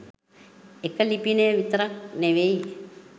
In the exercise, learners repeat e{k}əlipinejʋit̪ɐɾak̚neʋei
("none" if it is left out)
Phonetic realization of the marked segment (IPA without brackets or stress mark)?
k